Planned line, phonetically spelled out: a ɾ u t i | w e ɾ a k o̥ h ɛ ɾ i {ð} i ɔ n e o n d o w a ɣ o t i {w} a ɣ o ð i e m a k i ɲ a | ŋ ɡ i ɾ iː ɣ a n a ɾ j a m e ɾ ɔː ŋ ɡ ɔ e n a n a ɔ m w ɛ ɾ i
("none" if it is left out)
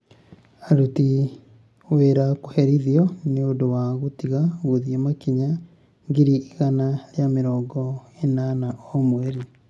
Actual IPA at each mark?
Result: ð, ɣ

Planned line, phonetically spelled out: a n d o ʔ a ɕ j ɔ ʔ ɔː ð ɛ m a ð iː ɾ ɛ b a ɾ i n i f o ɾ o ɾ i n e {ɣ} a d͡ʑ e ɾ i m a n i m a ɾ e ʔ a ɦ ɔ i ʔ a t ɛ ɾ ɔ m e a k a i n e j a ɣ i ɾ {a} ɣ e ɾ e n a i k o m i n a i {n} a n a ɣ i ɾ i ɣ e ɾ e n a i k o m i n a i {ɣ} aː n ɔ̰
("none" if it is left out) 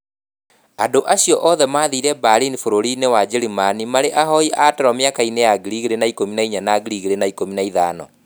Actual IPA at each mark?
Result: w, i, ɲ, ð

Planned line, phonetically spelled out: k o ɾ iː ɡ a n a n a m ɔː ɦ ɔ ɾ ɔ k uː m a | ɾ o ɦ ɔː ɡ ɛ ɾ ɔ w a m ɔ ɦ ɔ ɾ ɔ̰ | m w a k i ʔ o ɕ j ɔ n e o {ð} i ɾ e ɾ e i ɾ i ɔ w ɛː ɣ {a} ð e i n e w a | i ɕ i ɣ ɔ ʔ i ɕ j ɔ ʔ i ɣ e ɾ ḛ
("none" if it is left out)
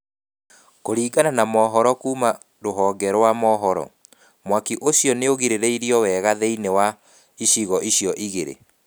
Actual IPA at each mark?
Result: ɣ, a

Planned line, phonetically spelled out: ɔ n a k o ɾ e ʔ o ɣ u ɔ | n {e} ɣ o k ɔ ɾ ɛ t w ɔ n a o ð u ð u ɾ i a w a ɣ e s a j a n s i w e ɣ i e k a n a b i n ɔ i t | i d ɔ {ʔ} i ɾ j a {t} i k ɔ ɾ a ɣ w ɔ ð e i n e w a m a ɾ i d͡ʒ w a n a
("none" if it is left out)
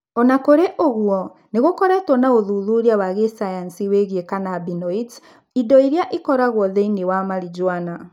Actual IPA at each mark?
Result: e, none, ʔ

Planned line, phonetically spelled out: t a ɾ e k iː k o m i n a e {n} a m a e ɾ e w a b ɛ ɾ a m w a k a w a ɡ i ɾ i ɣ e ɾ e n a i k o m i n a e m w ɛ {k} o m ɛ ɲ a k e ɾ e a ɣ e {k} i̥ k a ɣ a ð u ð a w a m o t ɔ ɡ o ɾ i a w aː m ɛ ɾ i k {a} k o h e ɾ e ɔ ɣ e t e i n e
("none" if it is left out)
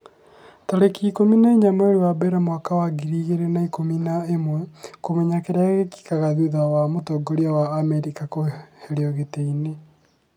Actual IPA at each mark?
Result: ɲ, k, k, a

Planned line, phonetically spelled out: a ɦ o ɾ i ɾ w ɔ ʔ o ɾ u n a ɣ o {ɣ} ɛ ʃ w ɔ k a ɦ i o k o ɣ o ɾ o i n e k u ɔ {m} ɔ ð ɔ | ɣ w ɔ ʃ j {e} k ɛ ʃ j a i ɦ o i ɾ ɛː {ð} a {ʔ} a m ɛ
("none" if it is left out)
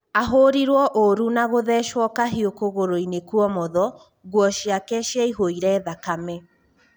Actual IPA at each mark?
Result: ð, m, a, ð, k

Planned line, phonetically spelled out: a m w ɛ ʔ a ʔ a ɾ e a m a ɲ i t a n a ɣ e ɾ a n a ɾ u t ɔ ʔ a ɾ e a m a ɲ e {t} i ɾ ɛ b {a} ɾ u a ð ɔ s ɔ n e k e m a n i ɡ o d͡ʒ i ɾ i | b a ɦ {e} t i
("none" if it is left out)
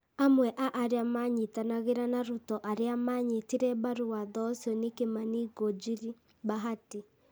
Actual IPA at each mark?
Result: t, a, a

